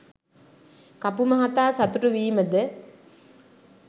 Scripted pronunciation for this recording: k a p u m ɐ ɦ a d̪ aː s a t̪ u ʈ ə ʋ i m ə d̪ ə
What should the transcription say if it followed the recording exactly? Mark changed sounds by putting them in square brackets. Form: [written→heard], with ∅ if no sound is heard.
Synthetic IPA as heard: k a p u m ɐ ɦ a [d̪→t̪] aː s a t̪ u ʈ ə ʋ [i→iː] m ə d̪ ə